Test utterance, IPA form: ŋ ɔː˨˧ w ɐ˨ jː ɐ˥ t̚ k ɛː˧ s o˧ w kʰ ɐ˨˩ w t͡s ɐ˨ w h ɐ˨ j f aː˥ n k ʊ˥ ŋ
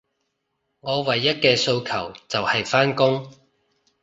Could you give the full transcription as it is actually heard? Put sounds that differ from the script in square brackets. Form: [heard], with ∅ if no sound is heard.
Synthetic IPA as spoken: ŋ ɔː˨˧ w ɐ˨ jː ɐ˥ t̚ k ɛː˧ s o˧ w kʰ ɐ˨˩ w t͡s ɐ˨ w h ɐ˨ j f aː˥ n k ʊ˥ ŋ